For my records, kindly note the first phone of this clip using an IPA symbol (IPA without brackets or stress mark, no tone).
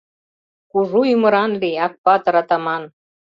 k